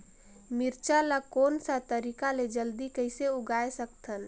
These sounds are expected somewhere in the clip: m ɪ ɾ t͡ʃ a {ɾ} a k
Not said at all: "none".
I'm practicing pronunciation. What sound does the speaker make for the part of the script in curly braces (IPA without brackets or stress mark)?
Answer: l